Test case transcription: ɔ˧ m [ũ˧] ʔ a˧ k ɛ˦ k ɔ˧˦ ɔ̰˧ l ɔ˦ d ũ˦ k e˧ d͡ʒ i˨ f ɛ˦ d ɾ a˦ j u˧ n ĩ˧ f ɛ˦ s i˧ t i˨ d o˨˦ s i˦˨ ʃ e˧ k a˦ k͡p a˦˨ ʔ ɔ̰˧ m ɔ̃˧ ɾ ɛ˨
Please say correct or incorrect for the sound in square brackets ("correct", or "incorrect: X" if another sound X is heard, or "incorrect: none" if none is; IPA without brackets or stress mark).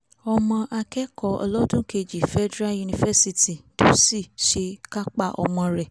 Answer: incorrect: ɔ̃˧